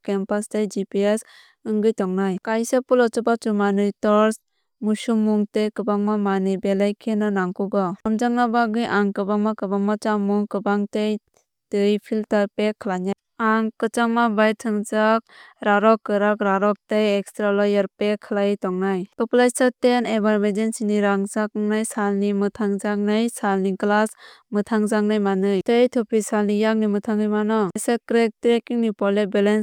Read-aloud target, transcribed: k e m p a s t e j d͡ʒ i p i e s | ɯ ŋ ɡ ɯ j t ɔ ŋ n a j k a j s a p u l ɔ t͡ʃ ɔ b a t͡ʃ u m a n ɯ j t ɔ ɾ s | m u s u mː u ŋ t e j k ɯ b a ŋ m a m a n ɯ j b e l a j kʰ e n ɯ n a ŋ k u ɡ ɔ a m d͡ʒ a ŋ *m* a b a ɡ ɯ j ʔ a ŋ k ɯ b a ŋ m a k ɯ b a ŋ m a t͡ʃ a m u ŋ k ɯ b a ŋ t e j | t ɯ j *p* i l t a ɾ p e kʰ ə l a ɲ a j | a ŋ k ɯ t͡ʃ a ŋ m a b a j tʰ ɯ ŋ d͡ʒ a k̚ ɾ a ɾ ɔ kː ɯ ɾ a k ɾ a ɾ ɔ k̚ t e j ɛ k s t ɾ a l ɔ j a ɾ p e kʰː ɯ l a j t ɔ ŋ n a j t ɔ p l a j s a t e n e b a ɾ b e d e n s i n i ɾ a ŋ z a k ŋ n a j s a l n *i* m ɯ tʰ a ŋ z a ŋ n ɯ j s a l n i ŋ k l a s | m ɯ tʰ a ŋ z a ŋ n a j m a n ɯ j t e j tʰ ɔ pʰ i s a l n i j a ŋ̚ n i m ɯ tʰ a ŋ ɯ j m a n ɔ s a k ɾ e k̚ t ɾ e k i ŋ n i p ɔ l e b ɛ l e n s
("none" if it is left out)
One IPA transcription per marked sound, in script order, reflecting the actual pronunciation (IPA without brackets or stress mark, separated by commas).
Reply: n, pʰ, i